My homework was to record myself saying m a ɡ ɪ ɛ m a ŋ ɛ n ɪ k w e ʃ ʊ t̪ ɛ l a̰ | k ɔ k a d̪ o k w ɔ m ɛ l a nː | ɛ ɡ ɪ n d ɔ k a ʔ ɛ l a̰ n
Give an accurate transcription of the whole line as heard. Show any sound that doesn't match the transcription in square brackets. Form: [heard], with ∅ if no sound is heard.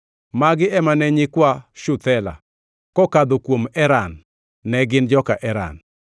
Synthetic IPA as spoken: m a ɡ ɪ ɛ m a [n] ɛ [ɲ] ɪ k w [a] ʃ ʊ t̪ ɛ l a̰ | k ɔ k a d̪ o k w [o] m ɛ [ɾ] a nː | ɛ ɡ ɪ n [d͡ʒ] ɔ k a ʔ ɛ [ɾ] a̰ n